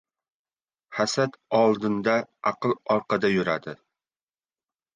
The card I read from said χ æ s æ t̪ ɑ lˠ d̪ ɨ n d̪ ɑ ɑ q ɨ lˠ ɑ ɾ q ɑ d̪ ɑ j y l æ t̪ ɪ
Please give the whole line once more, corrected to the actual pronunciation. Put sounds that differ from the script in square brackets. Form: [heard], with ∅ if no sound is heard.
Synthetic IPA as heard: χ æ s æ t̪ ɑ lˠ d̪ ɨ n d̪ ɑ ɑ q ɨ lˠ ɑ ɾ q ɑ d̪ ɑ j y [ɾ] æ [d̪] ɪ